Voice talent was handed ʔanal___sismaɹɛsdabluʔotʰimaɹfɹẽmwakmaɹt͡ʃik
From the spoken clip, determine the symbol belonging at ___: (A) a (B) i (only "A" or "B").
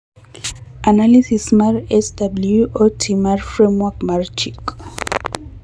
B